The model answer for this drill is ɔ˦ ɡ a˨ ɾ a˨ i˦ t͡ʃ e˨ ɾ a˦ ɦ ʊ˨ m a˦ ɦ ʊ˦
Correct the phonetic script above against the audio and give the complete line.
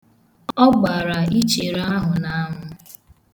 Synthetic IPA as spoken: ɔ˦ ɡ͡b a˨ ɾ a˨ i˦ t͡ʃ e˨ ɾ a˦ ɦ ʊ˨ n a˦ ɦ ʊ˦